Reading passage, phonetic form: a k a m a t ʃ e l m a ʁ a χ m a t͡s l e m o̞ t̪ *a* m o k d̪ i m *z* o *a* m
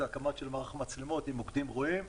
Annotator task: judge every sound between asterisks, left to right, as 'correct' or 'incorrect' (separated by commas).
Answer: incorrect, incorrect, incorrect